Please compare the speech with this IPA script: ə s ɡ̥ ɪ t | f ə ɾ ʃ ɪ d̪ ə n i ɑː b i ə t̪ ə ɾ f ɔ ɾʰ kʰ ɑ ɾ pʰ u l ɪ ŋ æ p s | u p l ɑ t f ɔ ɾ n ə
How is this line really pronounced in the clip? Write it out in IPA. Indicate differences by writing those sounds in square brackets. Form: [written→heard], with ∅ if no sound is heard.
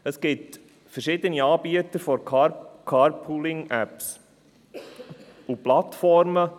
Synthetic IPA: ə s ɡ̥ ɪ t | f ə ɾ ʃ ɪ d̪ ə n i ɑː b i ə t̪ ə ɾ f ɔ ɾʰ kʰ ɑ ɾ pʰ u l ɪ ŋ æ p s | u p l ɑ t f ɔ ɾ [n→m] ə